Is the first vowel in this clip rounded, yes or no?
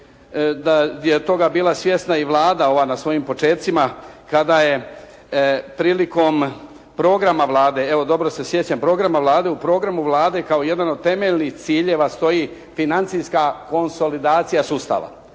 no